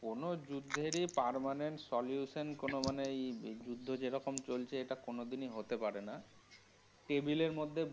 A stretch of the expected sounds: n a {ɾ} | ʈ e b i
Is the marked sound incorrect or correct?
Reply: incorrect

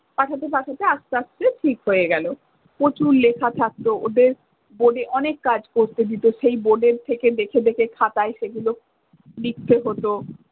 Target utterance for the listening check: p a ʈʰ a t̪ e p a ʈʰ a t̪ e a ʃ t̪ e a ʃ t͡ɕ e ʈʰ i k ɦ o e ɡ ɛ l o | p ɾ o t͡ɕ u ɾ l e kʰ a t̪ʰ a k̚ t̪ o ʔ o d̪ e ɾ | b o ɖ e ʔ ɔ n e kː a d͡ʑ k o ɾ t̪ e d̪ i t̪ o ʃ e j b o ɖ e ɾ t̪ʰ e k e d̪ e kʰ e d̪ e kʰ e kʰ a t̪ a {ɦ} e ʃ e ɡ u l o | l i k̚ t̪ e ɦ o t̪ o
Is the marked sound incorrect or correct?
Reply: incorrect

